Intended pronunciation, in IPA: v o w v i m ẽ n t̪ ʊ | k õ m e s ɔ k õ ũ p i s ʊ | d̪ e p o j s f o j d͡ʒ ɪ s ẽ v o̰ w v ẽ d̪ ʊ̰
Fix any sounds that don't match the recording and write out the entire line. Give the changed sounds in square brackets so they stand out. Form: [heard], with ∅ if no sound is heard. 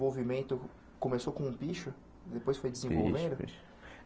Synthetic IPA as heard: v o w v i m ẽ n t̪ ʊ | k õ m e s [o] k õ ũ p i [ʃ] ʊ | d̪ e p o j s f o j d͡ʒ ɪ [z] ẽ v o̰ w v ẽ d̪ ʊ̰

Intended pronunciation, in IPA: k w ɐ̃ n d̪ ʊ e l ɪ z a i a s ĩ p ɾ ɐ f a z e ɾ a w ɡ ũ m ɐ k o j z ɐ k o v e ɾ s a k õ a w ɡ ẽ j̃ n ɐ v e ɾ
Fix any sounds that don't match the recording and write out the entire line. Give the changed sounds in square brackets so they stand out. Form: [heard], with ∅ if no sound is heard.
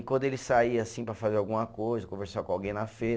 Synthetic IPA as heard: k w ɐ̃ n d̪ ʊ e l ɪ [s] a i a s ĩ p ɾ ɐ f a z e ɾ a w ɡ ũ m ɐ k o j z ɐ k [õ] v e ɾ s a k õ a w ɡ ẽ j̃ n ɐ [f] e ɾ

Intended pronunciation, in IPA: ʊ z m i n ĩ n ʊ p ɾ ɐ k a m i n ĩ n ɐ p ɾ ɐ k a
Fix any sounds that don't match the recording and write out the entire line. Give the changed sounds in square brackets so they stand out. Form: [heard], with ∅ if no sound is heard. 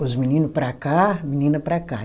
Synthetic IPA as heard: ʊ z m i n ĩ n ʊ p ɾ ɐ k a m i n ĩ n ɐ p ɾ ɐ k a

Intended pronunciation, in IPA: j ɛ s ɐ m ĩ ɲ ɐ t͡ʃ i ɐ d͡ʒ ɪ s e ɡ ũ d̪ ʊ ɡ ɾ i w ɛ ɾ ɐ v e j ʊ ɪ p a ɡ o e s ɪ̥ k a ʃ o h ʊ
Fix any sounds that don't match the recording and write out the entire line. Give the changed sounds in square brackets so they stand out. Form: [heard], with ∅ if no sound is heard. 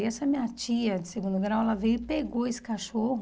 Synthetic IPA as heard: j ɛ s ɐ m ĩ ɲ ɐ t͡ʃ i ɐ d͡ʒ ɪ s e ɡ ũ d̪ ʊ ɡ ɾ [a] w ɛ [l] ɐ v e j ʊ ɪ p [e] ɡ o e s ɪ̥ k a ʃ o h ʊ

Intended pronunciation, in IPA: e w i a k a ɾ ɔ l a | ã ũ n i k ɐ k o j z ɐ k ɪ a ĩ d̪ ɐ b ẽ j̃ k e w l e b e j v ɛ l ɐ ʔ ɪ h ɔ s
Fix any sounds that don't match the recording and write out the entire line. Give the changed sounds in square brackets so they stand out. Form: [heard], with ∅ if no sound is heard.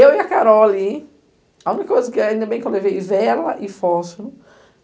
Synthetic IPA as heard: e w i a k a ɾ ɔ l [i] | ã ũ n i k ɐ k o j z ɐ k ɪ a ĩ d̪ ɐ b ẽ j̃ k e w l e [v] e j v ɛ l ɐ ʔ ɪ [f] ɔ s

